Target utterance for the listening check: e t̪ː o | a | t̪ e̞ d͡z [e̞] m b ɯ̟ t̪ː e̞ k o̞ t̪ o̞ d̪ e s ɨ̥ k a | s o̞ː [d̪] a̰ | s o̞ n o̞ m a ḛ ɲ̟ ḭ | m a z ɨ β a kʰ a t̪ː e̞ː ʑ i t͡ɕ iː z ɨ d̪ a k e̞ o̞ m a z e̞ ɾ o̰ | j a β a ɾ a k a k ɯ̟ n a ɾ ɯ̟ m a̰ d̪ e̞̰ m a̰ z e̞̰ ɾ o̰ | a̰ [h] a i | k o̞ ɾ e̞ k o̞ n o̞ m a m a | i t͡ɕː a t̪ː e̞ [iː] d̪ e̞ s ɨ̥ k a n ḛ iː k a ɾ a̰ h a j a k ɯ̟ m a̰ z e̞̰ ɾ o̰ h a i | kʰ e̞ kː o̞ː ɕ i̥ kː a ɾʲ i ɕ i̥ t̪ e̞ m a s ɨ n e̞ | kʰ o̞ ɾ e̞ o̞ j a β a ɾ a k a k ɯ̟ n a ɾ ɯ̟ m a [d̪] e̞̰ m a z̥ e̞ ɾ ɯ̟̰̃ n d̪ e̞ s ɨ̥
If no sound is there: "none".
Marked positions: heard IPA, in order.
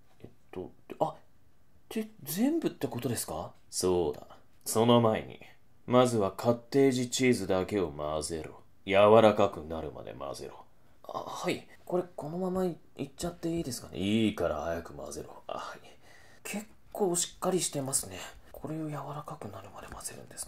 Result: ẽ̞, d̪, h, iː, d̪

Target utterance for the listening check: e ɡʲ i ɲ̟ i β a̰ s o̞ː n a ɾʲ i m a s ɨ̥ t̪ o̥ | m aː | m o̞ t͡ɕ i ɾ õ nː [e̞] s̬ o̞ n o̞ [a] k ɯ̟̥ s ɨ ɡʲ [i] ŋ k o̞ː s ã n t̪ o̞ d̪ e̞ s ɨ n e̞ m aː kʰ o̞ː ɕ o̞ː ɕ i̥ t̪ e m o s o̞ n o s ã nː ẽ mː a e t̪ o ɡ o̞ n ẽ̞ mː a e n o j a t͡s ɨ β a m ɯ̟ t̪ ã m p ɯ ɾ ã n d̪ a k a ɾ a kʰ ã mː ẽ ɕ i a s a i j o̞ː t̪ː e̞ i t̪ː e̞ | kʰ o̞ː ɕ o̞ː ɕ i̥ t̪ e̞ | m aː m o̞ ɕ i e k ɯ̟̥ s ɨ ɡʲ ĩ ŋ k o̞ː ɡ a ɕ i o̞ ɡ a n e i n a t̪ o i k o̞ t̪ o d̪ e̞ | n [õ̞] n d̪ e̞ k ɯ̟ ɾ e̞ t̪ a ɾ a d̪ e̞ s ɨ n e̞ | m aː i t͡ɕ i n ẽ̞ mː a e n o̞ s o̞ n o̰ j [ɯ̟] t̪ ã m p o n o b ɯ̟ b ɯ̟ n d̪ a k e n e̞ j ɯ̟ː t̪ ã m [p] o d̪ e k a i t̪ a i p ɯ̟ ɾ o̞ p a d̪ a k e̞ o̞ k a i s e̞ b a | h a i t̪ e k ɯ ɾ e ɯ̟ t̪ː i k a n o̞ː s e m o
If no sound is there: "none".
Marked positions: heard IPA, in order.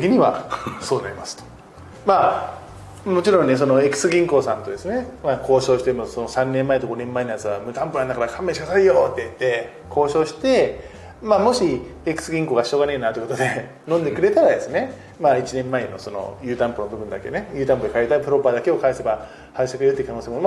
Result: e̞, e, ĩ, õ̞, ɯ̟ː, p

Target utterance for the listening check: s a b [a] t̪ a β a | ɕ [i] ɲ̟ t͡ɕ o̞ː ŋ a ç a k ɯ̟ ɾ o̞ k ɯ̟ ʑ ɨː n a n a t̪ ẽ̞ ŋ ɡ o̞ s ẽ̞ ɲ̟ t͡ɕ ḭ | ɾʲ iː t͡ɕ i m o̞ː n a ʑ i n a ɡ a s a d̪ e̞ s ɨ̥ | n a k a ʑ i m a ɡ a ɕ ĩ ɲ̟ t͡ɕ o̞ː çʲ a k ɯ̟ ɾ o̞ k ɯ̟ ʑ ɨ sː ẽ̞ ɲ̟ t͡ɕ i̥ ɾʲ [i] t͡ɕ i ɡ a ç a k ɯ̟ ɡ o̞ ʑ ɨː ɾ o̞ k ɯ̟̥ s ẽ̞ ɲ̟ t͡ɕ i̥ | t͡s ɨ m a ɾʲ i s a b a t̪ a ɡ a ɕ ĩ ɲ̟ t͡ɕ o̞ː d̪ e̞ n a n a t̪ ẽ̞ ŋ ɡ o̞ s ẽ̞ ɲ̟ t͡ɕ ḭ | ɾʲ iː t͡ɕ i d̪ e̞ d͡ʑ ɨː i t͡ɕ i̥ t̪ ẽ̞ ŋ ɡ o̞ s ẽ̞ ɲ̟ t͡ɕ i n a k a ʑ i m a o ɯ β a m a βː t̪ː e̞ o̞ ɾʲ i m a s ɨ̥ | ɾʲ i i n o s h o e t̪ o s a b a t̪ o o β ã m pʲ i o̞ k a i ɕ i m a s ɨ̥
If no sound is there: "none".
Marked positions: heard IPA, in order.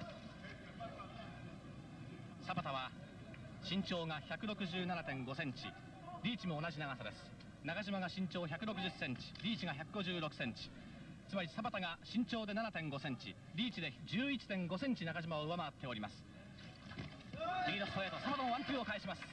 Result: a, ĩ, iː

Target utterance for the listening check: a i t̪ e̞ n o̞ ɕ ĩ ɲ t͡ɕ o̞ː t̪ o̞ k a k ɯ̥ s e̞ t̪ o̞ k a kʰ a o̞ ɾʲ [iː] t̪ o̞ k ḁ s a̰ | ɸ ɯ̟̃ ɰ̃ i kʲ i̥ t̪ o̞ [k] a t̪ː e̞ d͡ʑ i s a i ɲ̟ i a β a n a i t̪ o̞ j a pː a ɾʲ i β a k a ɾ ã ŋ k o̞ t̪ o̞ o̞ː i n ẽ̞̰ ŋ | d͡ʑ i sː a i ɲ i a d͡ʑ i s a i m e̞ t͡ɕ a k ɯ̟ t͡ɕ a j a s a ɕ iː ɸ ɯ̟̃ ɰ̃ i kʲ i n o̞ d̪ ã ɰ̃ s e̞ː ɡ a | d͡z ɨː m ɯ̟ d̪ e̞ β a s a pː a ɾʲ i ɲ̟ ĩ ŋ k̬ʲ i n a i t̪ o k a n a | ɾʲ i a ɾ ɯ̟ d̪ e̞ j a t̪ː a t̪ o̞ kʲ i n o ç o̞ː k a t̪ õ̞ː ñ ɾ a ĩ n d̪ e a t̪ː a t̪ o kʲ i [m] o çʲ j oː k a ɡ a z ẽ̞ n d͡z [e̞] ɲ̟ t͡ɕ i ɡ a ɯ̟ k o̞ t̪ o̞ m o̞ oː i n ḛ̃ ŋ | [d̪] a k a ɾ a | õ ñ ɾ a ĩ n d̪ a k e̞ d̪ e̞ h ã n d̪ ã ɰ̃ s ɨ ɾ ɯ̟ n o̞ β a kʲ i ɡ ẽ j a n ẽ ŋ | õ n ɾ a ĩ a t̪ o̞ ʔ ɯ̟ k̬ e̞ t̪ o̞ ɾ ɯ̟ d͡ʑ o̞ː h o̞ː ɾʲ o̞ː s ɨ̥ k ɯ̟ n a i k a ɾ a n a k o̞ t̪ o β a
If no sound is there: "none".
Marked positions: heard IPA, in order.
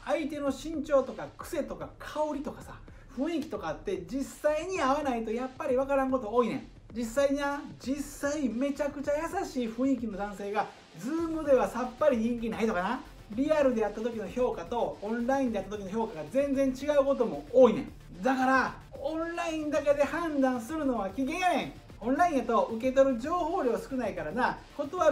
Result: i, k, n, ẽ̞, d̪

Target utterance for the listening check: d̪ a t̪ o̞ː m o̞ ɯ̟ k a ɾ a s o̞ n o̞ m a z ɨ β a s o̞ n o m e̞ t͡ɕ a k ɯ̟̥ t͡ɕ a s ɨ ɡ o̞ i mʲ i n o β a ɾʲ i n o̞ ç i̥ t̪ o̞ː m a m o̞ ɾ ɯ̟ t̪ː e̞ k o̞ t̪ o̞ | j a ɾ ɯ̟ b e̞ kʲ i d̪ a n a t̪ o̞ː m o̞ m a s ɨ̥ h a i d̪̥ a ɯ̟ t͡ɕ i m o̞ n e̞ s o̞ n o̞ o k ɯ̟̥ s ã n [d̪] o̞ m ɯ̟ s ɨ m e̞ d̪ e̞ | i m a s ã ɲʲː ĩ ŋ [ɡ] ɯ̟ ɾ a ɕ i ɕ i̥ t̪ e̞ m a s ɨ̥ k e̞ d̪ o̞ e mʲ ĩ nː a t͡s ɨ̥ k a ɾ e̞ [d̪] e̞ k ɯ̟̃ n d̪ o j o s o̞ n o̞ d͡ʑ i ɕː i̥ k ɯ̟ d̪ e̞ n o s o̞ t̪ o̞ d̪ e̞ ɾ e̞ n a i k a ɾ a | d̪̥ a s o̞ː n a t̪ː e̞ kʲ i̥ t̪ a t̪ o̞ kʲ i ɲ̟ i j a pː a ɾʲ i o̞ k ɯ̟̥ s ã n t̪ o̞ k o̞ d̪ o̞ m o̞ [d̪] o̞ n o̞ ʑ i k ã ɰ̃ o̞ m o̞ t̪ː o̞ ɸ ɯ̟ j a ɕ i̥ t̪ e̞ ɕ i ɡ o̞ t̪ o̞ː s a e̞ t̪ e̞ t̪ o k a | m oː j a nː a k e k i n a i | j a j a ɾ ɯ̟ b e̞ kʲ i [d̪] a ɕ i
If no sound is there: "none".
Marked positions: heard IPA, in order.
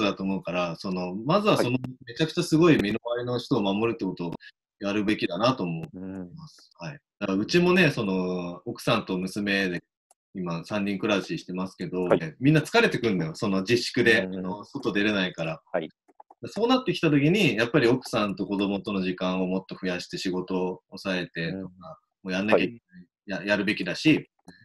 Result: t̪, k, t̪, t̪, d̪

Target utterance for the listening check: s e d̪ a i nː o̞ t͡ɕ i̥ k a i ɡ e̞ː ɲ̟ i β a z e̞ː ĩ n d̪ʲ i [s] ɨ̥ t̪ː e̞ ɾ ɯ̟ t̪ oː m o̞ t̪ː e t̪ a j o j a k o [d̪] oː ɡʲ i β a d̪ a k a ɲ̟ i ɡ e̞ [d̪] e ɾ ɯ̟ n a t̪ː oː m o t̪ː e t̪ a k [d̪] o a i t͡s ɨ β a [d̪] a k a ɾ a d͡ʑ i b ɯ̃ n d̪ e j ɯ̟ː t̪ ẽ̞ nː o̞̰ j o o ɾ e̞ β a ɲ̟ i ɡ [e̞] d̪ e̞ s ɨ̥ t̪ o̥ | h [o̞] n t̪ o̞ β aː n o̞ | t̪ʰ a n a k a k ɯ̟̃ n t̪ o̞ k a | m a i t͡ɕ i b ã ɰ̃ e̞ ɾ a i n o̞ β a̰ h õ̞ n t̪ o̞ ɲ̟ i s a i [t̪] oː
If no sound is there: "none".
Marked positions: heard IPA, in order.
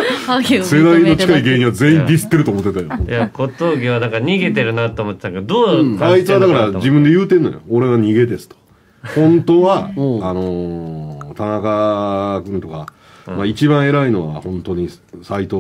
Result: s, t̪, t̪, d̪, d̪, e̞, õ̞, t̪

